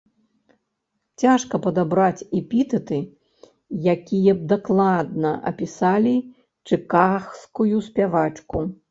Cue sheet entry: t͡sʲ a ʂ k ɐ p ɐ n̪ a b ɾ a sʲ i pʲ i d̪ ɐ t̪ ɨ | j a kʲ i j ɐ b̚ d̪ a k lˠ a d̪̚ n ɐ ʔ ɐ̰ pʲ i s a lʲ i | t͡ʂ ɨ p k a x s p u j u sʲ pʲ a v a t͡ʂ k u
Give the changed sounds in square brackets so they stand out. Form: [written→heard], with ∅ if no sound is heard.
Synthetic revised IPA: t͡sʲ a ʂ k ɐ p ɐ [n̪→d̪] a b ɾ a [sʲ→t͡sʲ] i pʲ i [d̪→t̪] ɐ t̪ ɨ | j a kʲ i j ɐ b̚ d̪ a k lˠ a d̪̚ n ɐ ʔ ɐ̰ pʲ i s a lʲ i | t͡ʂ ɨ [p→∅] k a x s [p→k] u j u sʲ pʲ a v a t͡ʂ k u

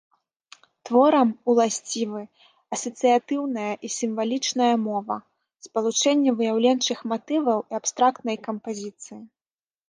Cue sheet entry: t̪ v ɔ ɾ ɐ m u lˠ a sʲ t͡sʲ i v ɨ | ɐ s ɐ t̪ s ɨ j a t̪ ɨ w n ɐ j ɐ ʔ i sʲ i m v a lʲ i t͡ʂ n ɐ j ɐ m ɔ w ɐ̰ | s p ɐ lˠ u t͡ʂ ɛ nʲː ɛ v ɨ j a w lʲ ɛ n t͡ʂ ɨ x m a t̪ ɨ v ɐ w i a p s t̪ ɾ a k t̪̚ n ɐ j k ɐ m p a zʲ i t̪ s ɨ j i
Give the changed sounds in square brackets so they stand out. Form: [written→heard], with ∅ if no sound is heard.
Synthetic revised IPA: t̪ v ɔ ɾ ɐ m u lˠ a sʲ t͡sʲ i v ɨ | ɐ s ɐ t̪ s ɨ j a t̪ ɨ w n ɐ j ɐ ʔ i sʲ i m v a lʲ i t͡ʂ n ɐ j ɐ m ɔ [w→v] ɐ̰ | s p ɐ lˠ u t͡ʂ ɛ nʲː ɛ v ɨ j a w lʲ ɛ n t͡ʂ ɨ x m a t̪ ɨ v ɐ w i a p s t̪ ɾ a k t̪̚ n ɐ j k ɐ m p a zʲ i t̪ s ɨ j i

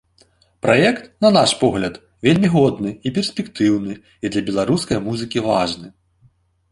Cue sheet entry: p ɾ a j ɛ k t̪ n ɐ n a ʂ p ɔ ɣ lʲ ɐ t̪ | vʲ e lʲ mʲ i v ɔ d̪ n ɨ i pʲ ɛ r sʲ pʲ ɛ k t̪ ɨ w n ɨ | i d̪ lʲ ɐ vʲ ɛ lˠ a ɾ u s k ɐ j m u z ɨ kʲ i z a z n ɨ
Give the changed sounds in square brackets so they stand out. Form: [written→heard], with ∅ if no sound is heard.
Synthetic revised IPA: p ɾ a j ɛ k t̪ n ɐ n a ʂ p ɔ ɣ lʲ ɐ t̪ | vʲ e lʲ mʲ i [v→ɣ] ɔ d̪ n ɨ i pʲ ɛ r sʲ pʲ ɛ k t̪ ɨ w n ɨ | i d̪ lʲ ɐ [vʲ→bʲ] ɛ lˠ a ɾ u s k ɐ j m u z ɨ kʲ i [z→v] a [z→ʐ] n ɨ

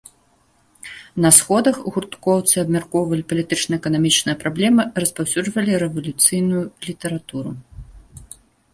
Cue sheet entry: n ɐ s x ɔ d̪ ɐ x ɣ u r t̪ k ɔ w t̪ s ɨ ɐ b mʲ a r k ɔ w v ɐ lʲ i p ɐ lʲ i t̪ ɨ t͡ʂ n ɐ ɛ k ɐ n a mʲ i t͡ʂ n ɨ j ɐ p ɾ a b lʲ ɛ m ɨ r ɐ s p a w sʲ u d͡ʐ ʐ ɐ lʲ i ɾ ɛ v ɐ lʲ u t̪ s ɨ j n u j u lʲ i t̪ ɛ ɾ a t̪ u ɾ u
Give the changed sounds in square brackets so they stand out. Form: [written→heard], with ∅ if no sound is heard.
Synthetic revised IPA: n ɐ s x ɔ d̪ ɐ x ɣ u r t̪ k ɔ w t̪ s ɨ ɐ b mʲ a r k ɔ w v ɐ lʲ i p ɐ lʲ i t̪ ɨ t͡ʂ n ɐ ɛ k ɐ n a mʲ i t͡ʂ n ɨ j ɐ p ɾ a b lʲ ɛ m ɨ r ɐ s p a w sʲ u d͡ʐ [ʐ→v] ɐ lʲ i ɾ ɛ v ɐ lʲ u t̪ s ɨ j n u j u lʲ i t̪ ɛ ɾ a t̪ u ɾ u

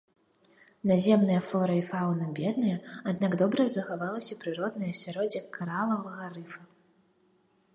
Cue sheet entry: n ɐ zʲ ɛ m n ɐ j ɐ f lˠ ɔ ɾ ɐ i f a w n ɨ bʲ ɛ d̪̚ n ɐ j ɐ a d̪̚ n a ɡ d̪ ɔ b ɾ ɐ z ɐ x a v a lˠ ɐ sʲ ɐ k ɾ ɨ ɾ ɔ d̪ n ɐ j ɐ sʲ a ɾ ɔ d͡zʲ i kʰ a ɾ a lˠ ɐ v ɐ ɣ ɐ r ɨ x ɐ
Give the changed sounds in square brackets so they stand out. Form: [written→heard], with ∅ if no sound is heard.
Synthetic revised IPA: n [ɐ→a] zʲ ɛ m n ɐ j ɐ f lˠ ɔ ɾ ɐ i f a w n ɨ bʲ ɛ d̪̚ n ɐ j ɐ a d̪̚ n a ɡ d̪ ɔ b ɾ ɐ z ɐ x a v a lˠ ɐ sʲ ɐ [k→p] ɾ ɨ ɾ ɔ d̪ n ɐ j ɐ sʲ a ɾ ɔ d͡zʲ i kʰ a ɾ a lˠ ɐ v ɐ ɣ ɐ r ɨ [x→f] ɐ

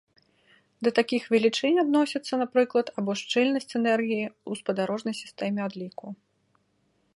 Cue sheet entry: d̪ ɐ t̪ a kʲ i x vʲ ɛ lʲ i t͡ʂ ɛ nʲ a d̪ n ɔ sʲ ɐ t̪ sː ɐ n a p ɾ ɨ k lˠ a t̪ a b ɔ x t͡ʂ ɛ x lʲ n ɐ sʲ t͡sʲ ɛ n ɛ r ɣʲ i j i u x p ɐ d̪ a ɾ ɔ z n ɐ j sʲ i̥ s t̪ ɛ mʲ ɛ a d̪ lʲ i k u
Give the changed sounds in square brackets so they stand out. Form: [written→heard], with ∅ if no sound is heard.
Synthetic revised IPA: d̪ ɐ t̪ a kʲ i x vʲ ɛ lʲ i t͡ʂ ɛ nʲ a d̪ n ɔ sʲ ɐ t̪ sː ɐ n a p ɾ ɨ k lˠ [a→ɐ] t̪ a b ɔ [x→ʂ] t͡ʂ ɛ [x→∅] lʲ n ɐ sʲ t͡sʲ ɛ n ɛ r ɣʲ i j i u [x→s] p ɐ d̪ a ɾ ɔ [z→ʐ] n ɐ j sʲ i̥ s t̪ ɛ mʲ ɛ a d̪ lʲ i k u

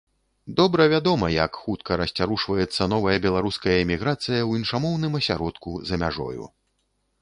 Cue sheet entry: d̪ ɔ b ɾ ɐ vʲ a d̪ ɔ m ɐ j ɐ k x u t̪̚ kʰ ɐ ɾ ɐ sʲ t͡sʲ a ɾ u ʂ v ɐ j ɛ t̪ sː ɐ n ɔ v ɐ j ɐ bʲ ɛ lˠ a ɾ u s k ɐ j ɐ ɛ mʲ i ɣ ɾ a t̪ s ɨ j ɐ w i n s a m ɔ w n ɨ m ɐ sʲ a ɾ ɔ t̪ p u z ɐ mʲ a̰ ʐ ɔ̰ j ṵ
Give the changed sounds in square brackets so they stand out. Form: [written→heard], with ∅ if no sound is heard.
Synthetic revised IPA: d̪ ɔ b ɾ ɐ vʲ a d̪ ɔ m ɐ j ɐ k x u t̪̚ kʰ ɐ ɾ ɐ sʲ t͡sʲ a ɾ u ʂ v ɐ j ɛ t̪ sː ɐ n ɔ v ɐ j ɐ bʲ ɛ lˠ a ɾ u s k ɐ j ɐ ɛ mʲ i ɣ ɾ a t̪ s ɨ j ɐ w i n [s→ʂ] a m ɔ w n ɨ m ɐ sʲ a ɾ ɔ t̪ [p→k] u z ɐ mʲ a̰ ʐ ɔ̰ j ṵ

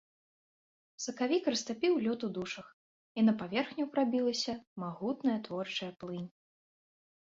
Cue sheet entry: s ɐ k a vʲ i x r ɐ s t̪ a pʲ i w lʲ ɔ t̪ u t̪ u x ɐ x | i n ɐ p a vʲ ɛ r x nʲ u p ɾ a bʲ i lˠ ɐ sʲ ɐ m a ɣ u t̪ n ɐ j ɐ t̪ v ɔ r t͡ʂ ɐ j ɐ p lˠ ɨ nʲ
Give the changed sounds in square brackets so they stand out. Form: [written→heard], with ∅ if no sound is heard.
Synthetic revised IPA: s ɐ k a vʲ i [x→k] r ɐ s t̪ a pʲ i w lʲ ɔ t̪ u [t̪→d̪] u [x→ʂ] ɐ x | i n ɐ p a vʲ ɛ r x nʲ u p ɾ a bʲ i lˠ ɐ sʲ ɐ m a ɣ u t̪ n ɐ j ɐ t̪ v ɔ r t͡ʂ ɐ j ɐ p lˠ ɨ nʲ

